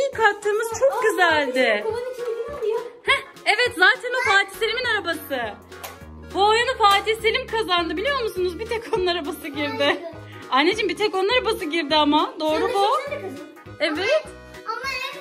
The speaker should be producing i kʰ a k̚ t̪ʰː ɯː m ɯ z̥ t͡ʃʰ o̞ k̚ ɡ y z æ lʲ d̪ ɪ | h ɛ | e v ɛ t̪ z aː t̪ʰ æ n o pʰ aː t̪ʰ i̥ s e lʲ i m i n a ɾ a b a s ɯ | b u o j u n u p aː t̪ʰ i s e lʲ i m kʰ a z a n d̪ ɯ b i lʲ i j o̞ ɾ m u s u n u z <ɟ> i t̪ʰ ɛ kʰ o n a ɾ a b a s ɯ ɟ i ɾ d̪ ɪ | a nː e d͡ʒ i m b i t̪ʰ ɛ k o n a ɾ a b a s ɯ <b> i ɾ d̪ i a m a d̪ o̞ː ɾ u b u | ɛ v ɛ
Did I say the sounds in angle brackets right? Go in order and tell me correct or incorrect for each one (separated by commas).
incorrect, incorrect